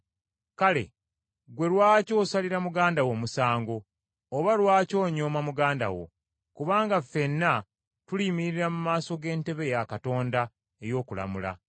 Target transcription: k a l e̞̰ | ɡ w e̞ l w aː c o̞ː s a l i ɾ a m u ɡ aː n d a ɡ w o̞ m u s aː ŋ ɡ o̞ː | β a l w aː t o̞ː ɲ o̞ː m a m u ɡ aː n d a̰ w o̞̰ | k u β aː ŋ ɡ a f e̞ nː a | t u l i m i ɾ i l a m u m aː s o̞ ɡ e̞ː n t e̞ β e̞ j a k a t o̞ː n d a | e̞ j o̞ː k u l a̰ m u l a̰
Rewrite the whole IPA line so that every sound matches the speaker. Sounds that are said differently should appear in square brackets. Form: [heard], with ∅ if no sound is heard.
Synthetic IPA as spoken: k a l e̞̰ | ɡ w e̞ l w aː c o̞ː s a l i ɾ a m u ɡ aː n d a [∅] w o̞ m u s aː ŋ ɡ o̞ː | β a l w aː [c] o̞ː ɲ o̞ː m a m u ɡ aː n d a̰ w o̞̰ | k u β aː ŋ ɡ a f e̞ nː a | t u l i m i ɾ i [ɾ] a m u m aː s o̞ ɡ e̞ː n t e̞ β e̞ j a k a t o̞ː n d a | e̞ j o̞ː k u l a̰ m u l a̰